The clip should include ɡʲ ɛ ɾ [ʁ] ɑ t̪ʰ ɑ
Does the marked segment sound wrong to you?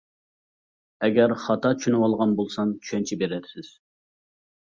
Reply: yes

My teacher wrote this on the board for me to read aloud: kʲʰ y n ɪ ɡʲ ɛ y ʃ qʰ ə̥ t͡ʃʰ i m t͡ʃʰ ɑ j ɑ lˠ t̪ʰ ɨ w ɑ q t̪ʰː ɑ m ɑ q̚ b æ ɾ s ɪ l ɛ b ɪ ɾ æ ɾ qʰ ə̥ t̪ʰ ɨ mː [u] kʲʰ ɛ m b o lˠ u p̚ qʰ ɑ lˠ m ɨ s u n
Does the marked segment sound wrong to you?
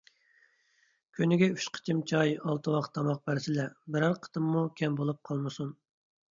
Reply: no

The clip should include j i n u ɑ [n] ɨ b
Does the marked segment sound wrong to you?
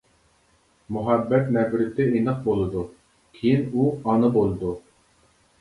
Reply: no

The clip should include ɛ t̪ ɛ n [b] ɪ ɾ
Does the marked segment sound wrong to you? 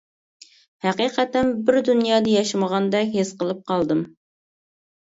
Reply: no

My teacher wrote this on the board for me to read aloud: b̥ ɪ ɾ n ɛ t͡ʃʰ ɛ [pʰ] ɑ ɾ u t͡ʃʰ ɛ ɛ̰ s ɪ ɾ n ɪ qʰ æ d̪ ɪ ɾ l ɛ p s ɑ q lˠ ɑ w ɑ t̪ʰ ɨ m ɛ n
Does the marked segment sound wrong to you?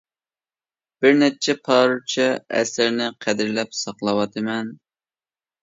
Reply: no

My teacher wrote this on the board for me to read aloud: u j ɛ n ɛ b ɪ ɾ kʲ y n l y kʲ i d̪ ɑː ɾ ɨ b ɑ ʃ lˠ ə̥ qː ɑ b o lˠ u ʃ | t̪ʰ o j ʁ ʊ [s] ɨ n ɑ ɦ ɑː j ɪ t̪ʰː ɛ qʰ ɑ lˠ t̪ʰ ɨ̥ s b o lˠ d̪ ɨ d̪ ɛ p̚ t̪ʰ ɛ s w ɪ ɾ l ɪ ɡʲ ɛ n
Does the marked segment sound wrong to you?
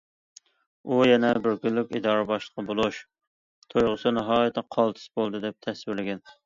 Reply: no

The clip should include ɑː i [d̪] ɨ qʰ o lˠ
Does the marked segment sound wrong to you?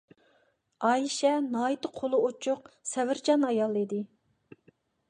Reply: yes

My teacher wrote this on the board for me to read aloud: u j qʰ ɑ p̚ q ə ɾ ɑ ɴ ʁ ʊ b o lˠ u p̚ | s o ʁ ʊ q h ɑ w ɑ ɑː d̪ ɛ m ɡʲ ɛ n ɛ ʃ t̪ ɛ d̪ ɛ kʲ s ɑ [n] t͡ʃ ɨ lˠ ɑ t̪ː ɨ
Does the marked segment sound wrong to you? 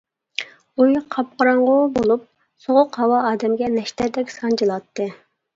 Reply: no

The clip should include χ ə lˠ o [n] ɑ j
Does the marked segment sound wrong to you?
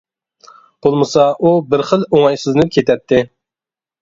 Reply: yes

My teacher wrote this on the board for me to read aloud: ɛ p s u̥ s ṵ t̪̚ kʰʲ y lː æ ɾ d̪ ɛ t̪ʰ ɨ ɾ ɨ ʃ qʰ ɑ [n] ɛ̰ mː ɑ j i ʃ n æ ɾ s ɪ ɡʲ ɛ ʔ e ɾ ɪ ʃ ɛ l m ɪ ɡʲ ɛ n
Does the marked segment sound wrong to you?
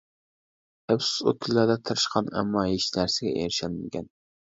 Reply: no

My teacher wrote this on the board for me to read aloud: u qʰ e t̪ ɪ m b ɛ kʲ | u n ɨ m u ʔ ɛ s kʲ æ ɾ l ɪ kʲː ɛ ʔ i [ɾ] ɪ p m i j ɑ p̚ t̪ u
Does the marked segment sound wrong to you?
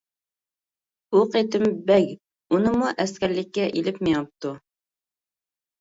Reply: yes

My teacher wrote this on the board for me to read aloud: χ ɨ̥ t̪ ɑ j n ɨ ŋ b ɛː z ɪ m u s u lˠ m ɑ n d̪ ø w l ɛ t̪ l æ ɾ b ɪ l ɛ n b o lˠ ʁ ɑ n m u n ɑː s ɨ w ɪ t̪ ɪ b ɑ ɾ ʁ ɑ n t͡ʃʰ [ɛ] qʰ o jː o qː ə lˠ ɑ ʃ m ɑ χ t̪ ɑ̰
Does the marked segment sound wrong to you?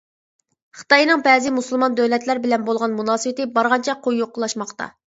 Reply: no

